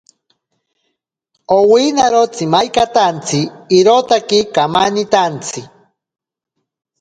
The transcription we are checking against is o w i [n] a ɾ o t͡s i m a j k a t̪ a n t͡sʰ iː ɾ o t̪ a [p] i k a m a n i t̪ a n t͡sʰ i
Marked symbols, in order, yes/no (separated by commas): yes, no